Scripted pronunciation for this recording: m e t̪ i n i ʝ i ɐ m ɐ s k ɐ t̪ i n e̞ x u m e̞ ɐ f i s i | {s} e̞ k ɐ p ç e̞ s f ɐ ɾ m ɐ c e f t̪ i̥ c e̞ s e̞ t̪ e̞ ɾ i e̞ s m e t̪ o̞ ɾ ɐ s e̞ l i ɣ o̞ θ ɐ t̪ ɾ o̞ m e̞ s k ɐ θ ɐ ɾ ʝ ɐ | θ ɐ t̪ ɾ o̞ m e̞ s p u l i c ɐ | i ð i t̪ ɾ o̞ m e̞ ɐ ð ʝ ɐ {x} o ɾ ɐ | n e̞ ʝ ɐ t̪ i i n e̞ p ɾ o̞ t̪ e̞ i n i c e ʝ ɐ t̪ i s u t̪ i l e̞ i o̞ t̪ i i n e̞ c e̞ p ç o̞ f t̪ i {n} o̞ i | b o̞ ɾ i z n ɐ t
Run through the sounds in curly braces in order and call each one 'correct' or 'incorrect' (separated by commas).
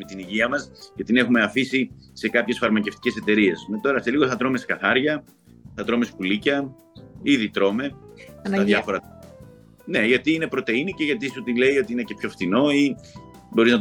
correct, incorrect, correct